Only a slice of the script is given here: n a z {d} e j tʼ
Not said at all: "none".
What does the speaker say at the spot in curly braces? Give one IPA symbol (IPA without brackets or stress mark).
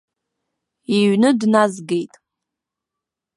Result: ɡ